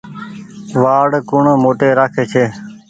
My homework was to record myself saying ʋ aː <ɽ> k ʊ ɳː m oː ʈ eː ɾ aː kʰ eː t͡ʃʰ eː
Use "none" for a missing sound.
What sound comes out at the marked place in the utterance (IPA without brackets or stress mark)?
ɽ